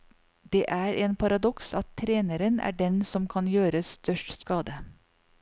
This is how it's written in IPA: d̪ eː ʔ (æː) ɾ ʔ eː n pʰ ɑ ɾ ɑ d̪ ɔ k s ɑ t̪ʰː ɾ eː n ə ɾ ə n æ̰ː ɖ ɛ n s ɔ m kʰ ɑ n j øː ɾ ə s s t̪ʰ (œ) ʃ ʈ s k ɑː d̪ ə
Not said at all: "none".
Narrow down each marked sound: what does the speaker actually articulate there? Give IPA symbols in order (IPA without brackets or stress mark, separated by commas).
æː, œ